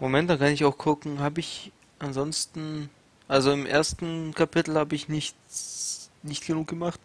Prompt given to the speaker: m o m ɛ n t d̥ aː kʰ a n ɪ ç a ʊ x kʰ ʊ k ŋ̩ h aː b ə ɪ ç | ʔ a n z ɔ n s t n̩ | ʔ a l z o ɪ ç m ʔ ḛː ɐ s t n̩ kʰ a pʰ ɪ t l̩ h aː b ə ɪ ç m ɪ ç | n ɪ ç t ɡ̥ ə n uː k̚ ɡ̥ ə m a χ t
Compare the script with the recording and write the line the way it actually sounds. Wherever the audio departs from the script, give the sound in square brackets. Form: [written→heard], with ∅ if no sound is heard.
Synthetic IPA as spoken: m o m ɛ n t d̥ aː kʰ a n ɪ ç a ʊ x kʰ ʊ k ŋ̩ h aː b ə ɪ ç | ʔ a n z ɔ n s t n̩ | ʔ a l z o ɪ [ç→∅] m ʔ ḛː ɐ s t n̩ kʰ a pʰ ɪ t l̩ h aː b ə ɪ ç [m→n] ɪ ç | n ɪ ç t ɡ̥ ə n uː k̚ ɡ̥ ə m a χ t